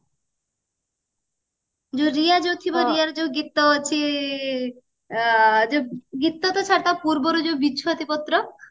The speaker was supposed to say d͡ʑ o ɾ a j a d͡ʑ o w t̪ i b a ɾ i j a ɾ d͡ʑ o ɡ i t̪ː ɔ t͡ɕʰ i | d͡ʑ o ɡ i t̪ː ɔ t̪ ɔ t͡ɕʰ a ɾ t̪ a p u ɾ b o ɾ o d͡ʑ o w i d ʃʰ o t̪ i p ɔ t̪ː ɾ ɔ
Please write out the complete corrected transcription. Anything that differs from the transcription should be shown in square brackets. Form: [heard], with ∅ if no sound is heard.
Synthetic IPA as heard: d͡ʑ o ɾ [i] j a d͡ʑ o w [t̪ʰ] i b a ɾ i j a ɾ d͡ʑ o ɡ i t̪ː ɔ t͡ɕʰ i | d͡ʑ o ɡ i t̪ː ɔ t̪ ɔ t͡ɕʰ a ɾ t̪ a p u ɾ b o ɾ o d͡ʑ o [b] i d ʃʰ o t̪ i p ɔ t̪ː ɾ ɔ

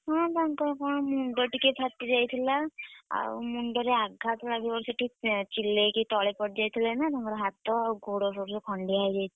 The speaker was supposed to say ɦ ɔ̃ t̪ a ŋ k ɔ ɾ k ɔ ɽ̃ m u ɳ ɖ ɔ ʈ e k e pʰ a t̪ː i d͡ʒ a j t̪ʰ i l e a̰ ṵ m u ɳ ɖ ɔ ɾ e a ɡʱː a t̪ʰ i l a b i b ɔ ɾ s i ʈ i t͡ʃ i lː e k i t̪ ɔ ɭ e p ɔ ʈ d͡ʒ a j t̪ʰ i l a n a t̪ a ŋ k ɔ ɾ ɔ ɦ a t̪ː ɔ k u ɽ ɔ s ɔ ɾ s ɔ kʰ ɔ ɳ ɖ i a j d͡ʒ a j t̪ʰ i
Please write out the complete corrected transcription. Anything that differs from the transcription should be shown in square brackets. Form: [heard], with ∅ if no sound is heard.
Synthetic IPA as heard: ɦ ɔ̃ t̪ a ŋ k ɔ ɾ k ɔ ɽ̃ m u ɳ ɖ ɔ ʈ [i] k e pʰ a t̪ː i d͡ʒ a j t̪ʰ i l [a] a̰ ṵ m u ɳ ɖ ɔ ɾ e a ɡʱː a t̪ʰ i l a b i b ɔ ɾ s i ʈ i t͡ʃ i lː e k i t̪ ɔ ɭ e p ɔ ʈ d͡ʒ a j t̪ʰ i l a n a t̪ a ŋ k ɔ ɾ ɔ ɦ a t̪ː ɔ [ɡ] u ɽ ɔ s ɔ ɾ s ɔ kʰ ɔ ɳ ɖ i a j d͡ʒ a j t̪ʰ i

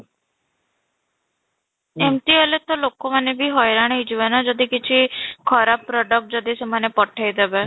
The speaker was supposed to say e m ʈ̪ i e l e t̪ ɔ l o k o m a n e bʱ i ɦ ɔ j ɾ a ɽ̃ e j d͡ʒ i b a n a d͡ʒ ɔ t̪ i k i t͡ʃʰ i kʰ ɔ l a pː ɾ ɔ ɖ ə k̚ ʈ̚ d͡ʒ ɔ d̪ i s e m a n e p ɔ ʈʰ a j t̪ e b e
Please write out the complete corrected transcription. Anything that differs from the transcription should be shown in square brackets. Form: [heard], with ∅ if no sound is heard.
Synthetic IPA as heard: e m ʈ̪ i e l e t̪ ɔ l o k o m a n e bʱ i ɦ ɔ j ɾ a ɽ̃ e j d͡ʒ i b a n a d͡ʒ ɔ [d̪] i k i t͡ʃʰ i kʰ ɔ [ɾ] a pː ɾ ɔ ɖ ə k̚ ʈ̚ d͡ʒ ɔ d̪ i s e m a n e p ɔ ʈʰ a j [d̪] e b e

